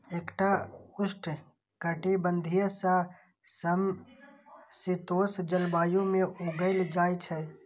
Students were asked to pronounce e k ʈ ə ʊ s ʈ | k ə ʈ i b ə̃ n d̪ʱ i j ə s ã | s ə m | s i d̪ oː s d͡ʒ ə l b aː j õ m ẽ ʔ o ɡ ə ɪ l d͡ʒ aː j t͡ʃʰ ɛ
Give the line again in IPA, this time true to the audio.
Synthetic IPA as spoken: e k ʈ a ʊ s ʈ | k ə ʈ i b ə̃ n d̪ʱ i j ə s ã | s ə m | s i t̪ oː s d͡ʒ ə l b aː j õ m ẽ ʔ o ɡ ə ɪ l d͡ʒ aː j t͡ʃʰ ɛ